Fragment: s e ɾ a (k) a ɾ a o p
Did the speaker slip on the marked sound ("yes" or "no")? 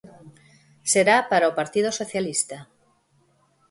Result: yes